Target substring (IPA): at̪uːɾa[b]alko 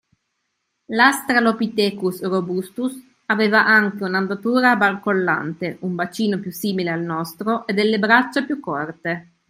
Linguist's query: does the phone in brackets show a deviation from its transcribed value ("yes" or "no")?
no